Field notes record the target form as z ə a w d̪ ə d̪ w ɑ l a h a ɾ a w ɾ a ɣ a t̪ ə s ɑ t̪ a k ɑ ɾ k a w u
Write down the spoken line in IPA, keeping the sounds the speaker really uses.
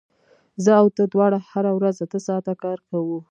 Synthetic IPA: z ə a w t̪ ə d̪ w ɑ ɽ a h a ɾ a w ɾ a z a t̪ ə s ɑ t̪ a k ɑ ɾ k a w u